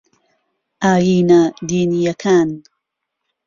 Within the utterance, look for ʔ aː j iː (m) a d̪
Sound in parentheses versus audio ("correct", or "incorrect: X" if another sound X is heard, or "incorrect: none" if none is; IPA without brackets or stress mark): incorrect: n